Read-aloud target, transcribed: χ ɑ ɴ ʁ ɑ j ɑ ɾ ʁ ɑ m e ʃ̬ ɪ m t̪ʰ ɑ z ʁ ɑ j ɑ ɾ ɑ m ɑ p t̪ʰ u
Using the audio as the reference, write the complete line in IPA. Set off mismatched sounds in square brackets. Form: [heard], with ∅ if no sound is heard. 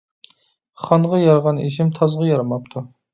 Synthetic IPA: χ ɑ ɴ ʁ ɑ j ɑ ɾ ʁ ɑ [n] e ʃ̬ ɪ m t̪ʰ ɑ z ʁ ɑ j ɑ ɾ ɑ m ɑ p t̪ʰ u